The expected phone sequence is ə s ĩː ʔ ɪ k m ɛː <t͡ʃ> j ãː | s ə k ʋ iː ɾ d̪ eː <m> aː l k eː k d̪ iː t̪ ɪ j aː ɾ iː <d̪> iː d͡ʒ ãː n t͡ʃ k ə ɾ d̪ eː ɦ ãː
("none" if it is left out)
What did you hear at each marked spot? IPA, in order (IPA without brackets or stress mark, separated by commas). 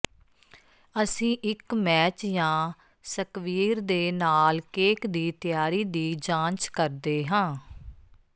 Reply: t͡ʃ, n, d̪